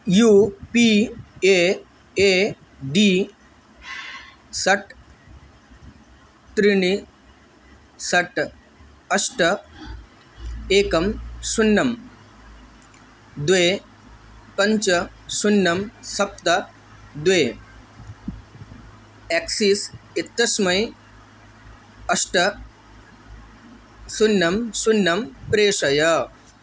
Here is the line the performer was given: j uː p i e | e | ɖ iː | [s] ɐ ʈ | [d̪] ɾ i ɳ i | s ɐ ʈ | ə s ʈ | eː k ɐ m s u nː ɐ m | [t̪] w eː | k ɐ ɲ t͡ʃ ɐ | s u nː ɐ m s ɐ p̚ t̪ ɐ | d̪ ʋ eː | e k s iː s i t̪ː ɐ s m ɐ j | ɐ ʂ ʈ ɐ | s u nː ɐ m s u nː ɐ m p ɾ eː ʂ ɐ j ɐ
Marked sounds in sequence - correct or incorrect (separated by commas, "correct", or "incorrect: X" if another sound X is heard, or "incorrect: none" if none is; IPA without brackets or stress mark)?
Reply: correct, incorrect: t̪, incorrect: d̪